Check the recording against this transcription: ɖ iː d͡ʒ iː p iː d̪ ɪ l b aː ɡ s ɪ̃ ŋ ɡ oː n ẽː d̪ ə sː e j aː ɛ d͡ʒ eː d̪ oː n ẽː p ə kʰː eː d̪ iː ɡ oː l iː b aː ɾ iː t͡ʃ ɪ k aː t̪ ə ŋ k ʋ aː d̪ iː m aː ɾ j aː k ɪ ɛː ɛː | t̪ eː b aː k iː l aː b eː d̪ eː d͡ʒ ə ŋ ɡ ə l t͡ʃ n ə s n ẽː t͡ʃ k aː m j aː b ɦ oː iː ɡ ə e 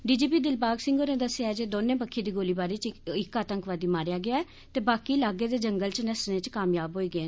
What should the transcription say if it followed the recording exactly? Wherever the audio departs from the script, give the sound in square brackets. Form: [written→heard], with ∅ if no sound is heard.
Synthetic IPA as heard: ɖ iː d͡ʒ iː p iː d̪ ɪ l b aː ɡ s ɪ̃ ŋ ɡ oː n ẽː d̪ ə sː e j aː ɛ d͡ʒ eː d̪ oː n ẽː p ə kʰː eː d̪ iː ɡ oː l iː b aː ɾ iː t͡ʃ ɪ k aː t̪ ə ŋ k ʋ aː d̪ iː m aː ɾ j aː [k→ɡ] ɪ [ɛː→aː] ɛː | t̪ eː b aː k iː l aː [b→ɡ] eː d̪ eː d͡ʒ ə ŋ ɡ ə l t͡ʃ n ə s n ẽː t͡ʃ k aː m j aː b ɦ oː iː ɡ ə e